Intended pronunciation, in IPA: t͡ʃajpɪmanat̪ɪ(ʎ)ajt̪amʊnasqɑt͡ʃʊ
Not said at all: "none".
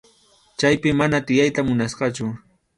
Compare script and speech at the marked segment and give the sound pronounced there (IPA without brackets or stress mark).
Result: j